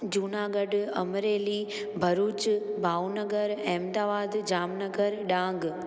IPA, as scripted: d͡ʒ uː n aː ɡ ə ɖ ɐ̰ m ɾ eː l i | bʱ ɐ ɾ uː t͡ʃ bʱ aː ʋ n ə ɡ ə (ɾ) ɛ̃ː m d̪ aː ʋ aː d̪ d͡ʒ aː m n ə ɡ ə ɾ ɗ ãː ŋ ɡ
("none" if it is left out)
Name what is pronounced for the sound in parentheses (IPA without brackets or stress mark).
ɾ